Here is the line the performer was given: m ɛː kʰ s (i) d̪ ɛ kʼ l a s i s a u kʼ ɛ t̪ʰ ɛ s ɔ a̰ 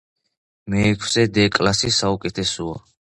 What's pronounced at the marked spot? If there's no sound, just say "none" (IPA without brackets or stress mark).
ɛ